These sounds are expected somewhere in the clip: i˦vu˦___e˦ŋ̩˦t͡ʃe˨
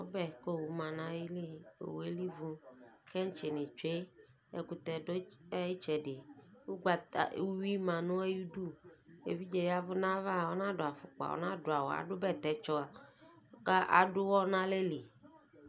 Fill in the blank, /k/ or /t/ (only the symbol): k